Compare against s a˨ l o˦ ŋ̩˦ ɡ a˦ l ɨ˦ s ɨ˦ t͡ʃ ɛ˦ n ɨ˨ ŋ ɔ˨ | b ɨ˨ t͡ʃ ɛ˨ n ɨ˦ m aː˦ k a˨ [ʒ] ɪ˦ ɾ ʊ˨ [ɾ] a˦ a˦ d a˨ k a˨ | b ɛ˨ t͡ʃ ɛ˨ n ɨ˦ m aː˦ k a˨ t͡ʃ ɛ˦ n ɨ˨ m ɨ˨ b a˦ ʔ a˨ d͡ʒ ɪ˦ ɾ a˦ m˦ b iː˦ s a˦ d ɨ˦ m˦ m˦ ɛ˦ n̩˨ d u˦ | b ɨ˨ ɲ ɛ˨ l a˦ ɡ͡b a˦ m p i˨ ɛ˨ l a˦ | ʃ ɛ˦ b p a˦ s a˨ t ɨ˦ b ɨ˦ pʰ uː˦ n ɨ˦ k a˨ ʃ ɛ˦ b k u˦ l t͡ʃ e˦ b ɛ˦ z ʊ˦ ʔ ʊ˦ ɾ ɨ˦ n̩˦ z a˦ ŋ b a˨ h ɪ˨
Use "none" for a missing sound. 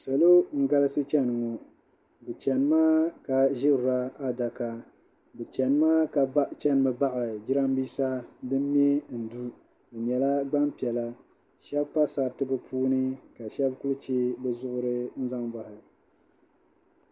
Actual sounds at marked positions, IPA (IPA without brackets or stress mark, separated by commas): ʒ, ɾ